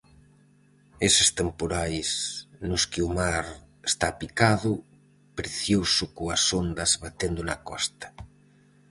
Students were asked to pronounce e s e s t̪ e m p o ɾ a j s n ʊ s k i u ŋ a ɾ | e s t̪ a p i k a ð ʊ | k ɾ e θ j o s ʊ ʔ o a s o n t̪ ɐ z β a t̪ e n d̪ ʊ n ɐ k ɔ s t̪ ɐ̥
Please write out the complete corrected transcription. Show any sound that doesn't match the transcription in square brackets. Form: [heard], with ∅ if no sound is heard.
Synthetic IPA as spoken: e s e s t̪ e m p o ɾ a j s n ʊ s k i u [m] a ɾ | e s t̪ a p i k a ð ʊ | [p] ɾ e θ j o s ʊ [k] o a s o n [d̪] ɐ z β a t̪ e n d̪ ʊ n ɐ k ɔ s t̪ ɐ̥